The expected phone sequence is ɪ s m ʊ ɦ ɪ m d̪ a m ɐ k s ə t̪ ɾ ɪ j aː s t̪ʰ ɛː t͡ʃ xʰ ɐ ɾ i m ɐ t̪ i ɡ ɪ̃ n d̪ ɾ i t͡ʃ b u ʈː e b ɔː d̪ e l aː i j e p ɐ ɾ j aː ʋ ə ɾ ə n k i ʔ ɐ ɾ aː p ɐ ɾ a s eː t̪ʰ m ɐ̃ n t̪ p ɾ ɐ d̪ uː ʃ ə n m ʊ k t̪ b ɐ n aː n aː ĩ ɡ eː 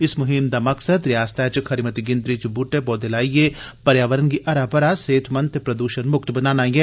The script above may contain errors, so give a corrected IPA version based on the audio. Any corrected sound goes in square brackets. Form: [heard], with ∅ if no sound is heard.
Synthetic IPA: ɪ s m ʊ ɦ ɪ m d̪ a m ɐ k s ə [d̪] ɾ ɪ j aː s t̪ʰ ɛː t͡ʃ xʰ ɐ ɾ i m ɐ t̪ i ɡ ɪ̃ n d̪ ɾ i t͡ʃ b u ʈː e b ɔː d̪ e l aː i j e p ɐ ɾ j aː ʋ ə ɾ ə n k i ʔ ɐ ɾ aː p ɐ ɾ a s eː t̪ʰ m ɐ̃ n t̪ p ɾ ɐ d̪ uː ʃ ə n m ʊ k t̪ b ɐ n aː n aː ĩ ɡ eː